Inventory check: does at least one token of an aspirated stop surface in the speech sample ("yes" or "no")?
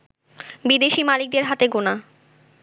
no